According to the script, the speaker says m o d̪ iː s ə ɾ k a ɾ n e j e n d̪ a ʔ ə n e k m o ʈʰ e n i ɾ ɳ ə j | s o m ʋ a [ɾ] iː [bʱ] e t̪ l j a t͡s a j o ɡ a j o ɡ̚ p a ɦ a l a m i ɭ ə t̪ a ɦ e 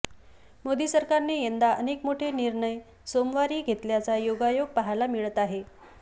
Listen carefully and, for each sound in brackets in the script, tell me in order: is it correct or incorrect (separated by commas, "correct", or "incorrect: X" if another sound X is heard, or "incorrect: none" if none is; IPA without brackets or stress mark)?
correct, incorrect: ɡʱ